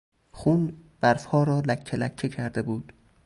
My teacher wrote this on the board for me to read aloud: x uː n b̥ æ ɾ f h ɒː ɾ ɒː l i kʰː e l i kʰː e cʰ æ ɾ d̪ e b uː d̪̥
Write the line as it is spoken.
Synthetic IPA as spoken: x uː n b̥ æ ɾ f h ɒː ɾ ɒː l æ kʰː e l æ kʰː e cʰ æ ɾ d̪ e b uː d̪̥